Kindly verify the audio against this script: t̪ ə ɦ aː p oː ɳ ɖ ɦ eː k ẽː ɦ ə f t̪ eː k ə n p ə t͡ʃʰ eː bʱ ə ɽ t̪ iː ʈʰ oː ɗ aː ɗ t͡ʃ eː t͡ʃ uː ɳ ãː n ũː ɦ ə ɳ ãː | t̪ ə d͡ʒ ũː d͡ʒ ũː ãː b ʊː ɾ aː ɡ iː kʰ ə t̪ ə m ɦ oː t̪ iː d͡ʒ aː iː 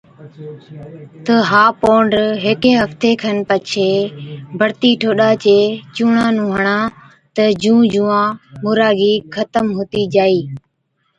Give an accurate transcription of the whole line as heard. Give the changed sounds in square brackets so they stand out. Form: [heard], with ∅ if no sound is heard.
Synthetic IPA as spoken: t̪ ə ɦ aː p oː ɳ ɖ ɦ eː k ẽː ɦ ə f t̪ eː [kʰ] ə n p ə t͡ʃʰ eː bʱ ə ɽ t̪ iː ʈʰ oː ɗ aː [∅] t͡ʃ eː t͡ʃ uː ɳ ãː n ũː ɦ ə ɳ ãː | t̪ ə d͡ʒ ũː d͡ʒ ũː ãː [m] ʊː ɾ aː ɡ iː kʰ ə t̪ ə m ɦ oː t̪ iː d͡ʒ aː iː